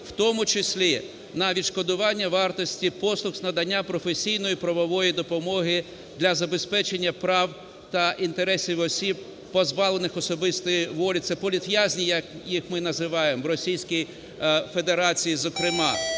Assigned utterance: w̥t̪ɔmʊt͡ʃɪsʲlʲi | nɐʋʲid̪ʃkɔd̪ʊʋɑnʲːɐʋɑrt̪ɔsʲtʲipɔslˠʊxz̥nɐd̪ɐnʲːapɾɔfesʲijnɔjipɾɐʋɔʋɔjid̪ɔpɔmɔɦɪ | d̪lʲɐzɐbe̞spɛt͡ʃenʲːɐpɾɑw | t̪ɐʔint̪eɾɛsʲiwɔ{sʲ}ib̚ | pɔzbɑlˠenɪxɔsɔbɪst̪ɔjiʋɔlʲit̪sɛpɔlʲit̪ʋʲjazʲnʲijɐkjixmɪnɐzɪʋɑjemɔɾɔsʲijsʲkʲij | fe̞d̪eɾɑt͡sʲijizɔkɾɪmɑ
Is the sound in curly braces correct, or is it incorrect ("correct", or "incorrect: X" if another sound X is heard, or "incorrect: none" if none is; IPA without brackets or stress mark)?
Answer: correct